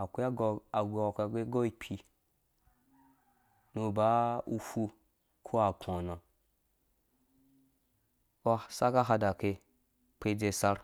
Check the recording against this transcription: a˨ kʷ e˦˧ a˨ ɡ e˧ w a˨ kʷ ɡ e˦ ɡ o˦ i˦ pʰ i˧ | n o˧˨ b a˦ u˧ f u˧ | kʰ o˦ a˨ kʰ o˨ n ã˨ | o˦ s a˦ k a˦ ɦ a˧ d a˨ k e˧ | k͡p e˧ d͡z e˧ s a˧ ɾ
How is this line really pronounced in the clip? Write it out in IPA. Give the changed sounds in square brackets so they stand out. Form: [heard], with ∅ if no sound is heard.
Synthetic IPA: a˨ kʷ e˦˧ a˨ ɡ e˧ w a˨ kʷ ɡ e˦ ɡ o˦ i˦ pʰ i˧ | n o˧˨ b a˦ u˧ f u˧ | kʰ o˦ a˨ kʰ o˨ n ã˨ | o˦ s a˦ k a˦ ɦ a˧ d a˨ k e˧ | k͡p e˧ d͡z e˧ s a˧ ɾ

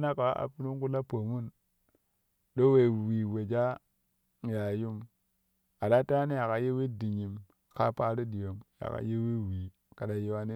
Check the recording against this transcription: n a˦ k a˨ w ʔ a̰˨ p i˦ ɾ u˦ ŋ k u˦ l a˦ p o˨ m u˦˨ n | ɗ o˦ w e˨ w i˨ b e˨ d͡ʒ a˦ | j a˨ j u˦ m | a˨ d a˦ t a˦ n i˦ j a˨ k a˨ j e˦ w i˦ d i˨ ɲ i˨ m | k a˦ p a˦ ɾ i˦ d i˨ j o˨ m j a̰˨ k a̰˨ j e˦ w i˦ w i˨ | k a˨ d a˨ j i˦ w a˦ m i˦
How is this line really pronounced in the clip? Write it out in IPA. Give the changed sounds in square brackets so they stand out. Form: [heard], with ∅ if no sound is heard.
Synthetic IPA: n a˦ k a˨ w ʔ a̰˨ p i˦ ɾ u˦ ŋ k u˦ l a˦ p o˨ m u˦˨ n | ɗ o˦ w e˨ w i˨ [w] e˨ d͡ʒ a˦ | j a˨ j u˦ m | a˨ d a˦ t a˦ n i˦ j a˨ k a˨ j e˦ w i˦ d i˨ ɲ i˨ m | k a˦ p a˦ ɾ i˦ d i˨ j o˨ m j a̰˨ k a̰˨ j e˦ w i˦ w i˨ | k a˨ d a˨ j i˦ w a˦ [n] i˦

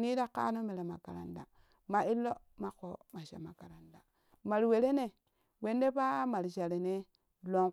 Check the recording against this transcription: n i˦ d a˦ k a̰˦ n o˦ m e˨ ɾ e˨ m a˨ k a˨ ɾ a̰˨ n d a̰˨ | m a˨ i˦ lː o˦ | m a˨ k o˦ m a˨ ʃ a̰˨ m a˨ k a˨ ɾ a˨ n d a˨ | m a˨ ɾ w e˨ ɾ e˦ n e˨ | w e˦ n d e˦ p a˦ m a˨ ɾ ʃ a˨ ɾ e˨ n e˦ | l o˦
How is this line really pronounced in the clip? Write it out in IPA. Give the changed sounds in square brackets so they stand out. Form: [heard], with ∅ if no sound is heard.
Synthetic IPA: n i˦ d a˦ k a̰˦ n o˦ m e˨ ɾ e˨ m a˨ k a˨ ɾ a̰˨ n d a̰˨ | m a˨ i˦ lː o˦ | m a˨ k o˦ m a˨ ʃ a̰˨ m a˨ k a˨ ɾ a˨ n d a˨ | m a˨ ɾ w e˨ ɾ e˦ n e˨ | w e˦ n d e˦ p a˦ m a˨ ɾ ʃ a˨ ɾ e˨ n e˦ | l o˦

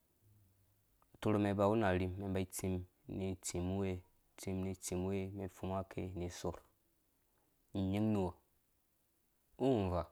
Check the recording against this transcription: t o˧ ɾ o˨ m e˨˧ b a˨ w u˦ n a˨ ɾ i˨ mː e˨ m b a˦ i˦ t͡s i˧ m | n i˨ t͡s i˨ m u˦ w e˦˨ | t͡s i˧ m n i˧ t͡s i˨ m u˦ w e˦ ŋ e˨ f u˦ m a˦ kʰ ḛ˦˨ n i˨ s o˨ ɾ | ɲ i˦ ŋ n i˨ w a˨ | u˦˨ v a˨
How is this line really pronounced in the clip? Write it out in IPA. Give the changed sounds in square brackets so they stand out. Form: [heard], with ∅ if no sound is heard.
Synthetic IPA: t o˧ ɾ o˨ m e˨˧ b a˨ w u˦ n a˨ ɾ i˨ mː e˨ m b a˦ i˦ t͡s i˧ m | n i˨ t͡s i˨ m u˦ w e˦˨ | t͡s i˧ m n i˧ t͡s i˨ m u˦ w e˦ [m] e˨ f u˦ m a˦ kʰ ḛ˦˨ n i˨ s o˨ ɾ | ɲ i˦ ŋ n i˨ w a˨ | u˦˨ v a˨

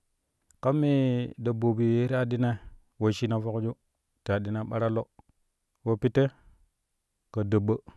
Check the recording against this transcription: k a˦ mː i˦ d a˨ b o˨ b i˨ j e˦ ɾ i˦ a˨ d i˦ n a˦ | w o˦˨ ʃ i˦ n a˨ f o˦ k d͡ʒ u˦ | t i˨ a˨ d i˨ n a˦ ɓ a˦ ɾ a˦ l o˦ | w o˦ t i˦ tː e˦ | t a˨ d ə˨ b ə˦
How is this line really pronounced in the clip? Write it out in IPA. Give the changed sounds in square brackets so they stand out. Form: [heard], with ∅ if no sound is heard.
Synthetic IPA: k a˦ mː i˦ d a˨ b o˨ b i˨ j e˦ ɾ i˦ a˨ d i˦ n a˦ | w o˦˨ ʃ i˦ n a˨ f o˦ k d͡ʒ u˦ | t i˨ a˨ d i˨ n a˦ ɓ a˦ ɾ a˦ l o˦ | w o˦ [p] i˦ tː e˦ | [k] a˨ d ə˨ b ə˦

